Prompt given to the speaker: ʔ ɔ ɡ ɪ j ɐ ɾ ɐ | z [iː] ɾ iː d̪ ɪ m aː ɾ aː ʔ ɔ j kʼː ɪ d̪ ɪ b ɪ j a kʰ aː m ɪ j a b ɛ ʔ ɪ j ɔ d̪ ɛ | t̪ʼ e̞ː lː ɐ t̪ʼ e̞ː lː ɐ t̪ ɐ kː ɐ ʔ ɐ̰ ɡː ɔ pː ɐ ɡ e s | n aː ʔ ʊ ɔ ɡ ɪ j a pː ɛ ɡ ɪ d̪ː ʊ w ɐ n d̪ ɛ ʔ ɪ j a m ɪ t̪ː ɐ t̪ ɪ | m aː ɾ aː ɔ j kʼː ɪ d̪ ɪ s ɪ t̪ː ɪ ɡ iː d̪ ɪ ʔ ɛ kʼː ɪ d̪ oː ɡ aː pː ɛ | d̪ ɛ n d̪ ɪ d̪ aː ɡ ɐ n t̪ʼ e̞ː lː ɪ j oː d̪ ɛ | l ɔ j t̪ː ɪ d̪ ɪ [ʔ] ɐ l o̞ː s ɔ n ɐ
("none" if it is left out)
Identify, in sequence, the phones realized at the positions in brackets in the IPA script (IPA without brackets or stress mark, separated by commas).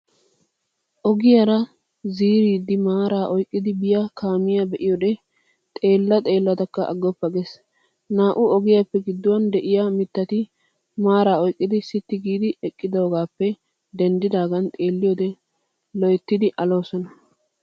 iː, ʔ